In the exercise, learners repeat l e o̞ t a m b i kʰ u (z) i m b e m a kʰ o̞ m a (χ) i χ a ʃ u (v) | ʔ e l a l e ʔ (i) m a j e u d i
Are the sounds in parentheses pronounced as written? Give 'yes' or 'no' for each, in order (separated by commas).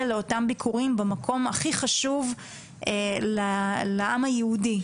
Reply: no, yes, yes, no